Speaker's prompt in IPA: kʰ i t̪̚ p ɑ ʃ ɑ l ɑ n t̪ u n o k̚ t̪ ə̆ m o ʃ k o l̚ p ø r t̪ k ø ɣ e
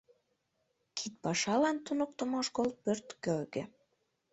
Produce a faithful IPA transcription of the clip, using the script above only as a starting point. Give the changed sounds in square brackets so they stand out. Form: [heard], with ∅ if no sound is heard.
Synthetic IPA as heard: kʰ i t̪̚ p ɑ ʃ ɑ l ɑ n t̪ u n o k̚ t̪ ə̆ m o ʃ k o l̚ p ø r t̪ k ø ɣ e